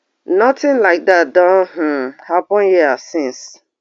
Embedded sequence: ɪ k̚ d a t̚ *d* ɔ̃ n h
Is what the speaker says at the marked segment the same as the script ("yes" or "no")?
yes